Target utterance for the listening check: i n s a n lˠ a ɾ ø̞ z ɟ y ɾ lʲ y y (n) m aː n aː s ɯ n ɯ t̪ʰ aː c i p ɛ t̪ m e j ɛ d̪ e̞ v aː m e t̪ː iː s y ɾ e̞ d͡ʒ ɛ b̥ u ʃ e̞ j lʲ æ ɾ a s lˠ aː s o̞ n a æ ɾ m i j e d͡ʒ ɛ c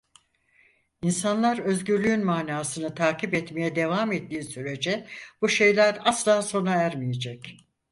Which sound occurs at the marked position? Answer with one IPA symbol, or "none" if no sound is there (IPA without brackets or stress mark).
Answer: n